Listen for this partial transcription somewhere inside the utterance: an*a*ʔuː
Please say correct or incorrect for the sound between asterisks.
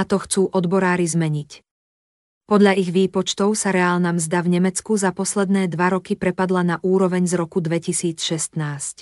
correct